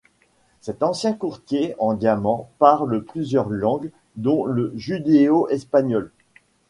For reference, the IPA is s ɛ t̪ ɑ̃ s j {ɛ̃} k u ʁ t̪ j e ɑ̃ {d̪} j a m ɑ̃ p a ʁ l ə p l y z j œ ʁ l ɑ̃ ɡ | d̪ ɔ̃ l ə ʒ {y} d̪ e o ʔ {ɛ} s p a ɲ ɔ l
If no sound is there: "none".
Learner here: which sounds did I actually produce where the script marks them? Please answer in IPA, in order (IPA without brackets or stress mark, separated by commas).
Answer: ɛ̃, d̪, y, ɛ